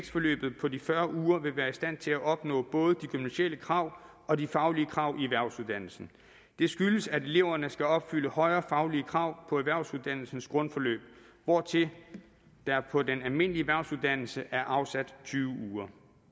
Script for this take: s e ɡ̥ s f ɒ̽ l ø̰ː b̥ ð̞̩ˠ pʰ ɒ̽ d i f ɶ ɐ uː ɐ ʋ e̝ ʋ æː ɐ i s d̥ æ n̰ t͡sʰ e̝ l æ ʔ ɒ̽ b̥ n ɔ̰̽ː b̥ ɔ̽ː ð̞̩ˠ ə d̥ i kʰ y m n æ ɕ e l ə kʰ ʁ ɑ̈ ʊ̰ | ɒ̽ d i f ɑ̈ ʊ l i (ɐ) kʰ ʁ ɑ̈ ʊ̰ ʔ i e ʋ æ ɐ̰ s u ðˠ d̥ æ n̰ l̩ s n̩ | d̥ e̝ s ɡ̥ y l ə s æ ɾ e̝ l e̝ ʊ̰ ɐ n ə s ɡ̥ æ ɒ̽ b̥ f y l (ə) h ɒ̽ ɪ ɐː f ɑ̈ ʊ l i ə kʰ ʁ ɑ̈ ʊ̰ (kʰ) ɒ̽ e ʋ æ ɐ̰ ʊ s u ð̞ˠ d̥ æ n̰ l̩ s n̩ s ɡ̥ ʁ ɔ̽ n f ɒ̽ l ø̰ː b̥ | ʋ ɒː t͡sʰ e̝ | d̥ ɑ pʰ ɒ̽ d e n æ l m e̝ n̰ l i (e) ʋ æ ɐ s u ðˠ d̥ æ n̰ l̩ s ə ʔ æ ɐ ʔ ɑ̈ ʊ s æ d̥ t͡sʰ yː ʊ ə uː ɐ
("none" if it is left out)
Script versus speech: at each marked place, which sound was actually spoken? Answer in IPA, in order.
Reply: ə, ə, pʰ, e

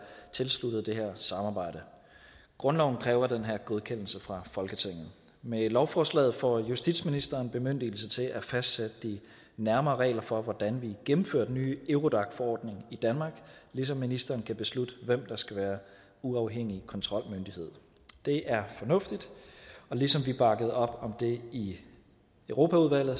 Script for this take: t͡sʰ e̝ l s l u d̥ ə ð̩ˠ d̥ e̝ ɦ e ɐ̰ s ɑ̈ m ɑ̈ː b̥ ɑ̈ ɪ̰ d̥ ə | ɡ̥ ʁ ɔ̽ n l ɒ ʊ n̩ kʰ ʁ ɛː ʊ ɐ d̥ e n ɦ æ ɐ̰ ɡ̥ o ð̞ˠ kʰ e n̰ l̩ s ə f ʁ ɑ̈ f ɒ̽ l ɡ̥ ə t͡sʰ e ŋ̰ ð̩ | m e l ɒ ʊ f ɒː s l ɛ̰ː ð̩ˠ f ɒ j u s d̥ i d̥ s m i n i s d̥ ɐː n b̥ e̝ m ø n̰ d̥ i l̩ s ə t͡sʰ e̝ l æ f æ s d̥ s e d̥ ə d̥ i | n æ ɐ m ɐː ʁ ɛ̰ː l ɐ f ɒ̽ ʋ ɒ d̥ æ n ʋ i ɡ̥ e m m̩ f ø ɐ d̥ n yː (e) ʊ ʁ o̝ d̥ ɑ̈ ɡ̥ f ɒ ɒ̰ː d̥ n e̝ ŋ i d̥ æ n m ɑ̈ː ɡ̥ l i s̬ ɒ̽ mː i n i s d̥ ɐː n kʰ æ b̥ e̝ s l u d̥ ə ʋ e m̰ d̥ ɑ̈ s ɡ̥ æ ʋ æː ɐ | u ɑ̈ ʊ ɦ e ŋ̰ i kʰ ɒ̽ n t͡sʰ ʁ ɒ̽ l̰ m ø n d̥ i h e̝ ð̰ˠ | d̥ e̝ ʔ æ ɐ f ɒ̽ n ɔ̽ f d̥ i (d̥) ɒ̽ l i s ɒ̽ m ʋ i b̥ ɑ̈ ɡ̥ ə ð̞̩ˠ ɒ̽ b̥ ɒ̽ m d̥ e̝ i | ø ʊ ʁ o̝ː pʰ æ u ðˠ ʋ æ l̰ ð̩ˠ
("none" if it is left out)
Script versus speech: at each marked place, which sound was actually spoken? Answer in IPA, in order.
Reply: e, d̥

